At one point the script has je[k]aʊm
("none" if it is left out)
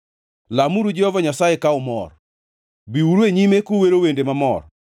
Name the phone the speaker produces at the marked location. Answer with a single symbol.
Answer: k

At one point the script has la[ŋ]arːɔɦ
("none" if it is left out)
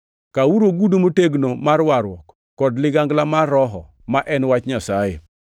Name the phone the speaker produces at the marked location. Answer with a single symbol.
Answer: m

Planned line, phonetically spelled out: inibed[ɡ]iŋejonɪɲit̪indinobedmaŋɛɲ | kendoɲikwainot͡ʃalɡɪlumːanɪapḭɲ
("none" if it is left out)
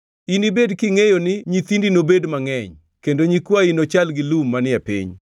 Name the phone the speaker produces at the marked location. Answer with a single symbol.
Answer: k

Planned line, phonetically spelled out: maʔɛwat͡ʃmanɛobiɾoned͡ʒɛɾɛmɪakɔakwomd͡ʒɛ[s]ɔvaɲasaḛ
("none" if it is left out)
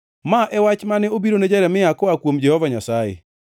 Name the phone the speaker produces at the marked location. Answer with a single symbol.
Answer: h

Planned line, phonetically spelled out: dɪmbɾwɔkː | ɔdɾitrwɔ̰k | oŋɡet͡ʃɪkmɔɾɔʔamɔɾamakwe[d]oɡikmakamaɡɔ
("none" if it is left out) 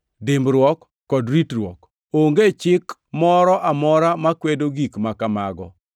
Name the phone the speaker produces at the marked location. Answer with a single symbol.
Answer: d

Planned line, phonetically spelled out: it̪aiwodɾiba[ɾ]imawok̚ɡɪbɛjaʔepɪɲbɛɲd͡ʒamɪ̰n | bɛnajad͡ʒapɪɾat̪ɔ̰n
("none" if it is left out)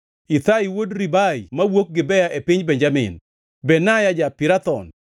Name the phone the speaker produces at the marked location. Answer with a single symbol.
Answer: none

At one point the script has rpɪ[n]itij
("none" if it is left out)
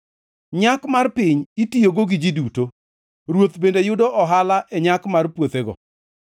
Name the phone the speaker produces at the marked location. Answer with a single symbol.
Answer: ɲ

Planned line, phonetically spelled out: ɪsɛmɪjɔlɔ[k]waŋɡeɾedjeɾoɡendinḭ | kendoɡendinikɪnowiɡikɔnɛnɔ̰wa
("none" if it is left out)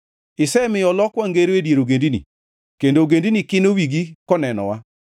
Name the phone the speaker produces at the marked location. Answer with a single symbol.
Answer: k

